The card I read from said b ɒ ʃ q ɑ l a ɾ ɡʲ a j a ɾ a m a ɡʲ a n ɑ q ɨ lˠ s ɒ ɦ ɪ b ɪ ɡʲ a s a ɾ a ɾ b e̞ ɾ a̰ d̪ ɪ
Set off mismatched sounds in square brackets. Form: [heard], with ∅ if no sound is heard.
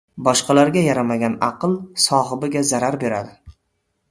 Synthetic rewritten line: b ɒ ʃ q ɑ l a ɾ ɡʲ a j a ɾ a m a ɡʲ a n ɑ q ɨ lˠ s ɒ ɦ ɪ b ɪ ɡʲ a [z] a ɾ a ɾ b e̞ ɾ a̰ d̪ ɪ